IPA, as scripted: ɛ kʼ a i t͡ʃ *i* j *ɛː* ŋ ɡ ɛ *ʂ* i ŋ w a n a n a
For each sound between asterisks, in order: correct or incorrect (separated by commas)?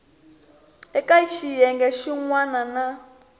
correct, incorrect, incorrect